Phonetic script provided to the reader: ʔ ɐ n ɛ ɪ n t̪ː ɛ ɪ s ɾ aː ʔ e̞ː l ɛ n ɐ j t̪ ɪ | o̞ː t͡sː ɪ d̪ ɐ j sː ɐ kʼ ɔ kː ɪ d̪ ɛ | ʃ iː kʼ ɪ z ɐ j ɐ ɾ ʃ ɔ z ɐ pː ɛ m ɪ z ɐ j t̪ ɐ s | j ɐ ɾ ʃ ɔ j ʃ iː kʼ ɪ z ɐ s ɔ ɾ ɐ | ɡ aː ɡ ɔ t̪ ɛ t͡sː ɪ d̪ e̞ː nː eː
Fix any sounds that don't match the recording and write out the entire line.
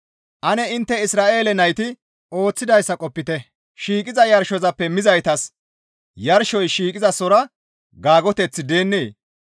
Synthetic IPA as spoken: ʔ ɐ n ɛ ɪ n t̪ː ɛ ɪ s ɾ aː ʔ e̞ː l ɛ n ɐ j t̪ ɪ | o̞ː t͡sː ɪ d̪ ɐ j sː ɐ kʼ ɔ pː ɪ t̪ ɛ | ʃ iː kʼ ɪ z ɐ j ɐ ɾ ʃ ɔ z ɐ pː ɛ m ɪ z ɐ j t̪ ɐ s | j ɐ ɾ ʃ ɔ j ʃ iː kʼ ɪ z ɐ s ɔ ɾ ɐ | ɡ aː ɡ ɔ t̪ ɛ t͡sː ɪ d̪ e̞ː nː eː